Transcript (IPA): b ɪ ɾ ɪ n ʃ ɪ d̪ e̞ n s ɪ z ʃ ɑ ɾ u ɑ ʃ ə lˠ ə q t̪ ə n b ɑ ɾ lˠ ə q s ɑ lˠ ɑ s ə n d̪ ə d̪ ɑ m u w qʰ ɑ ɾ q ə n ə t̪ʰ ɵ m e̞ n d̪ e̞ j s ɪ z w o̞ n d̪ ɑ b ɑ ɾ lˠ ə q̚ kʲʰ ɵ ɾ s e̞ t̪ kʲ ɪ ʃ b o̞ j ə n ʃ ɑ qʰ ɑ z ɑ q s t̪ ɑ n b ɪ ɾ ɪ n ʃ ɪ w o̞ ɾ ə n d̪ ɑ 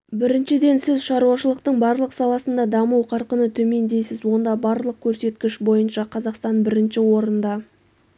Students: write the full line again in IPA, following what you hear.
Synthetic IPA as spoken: b ɪ ɾ ɪ n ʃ ɪ d̪ e̞ n s ɪ z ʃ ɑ ɾ u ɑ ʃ ə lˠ ə q t̪ ə ɴ b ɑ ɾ lˠ ə q s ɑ lˠ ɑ s ə n d̪ ɑ d̪ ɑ m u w qʰ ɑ ɾ q ə n ə t̪ʰ ɵ m e̞ n d̪ e̞ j s ɪ z w o̞ n d̪ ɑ b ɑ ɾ lˠ ə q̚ kʲʰ ɵ ɾ s e̞ t̪ kʲ ɪ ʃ b o̞ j ə n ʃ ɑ qʰ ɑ z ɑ q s t̪ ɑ n b ɪ ɾ ɪ n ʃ ɪ w o̞ ɾ ə n d̪ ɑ